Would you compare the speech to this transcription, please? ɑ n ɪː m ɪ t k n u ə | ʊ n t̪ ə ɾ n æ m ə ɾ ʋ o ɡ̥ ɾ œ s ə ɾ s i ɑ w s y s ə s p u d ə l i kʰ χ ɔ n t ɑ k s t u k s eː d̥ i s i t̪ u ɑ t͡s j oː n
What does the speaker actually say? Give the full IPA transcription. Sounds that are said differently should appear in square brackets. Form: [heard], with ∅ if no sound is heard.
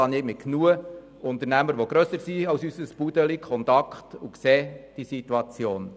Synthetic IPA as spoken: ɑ n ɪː m ɪ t k n u ə | ʊ n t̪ ə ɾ n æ m ə ɾ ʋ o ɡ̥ ɾ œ s ə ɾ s i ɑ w s y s ə s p u d ə l i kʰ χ ɔ n t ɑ k [χ] t u k s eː d̥ i s i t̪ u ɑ t͡s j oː n